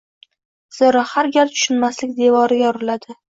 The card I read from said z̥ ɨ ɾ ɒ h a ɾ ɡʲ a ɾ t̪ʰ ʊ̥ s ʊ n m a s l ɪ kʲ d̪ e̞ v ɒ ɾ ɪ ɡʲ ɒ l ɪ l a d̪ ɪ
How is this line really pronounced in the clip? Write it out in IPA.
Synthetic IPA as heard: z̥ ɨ ɾ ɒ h a ɾ ɡʲ a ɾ t̪ʰ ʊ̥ ʃ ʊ n m a s l ɪ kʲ d̪ e̞ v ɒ ɾ ɪ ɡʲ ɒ ɾ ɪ l a d̪ ɪ